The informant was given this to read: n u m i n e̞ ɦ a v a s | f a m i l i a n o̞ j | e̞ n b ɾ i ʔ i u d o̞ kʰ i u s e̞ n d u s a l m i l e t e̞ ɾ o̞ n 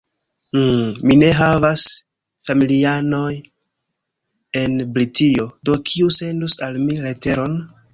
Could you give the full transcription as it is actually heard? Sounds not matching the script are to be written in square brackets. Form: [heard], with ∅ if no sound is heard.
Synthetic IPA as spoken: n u m i n e̞ ɦ a v a s | f a m i l i a n o̞ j | e̞ n b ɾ i [t] i [o] d o̞ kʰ i u s e̞ n d u s a l m i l e t e̞ ɾ o̞ n